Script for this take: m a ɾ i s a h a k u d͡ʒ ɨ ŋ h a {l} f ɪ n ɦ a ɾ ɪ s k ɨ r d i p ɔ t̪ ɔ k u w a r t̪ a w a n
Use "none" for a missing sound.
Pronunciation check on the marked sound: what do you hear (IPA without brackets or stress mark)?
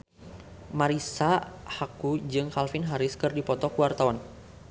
l